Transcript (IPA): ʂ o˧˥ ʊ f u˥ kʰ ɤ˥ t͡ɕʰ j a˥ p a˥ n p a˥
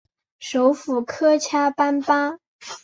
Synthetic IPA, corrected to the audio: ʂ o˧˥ ʊ f u˨˩ kʰ ɤ˥ t͡ɕʰ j a˥ p a˥ n p a˥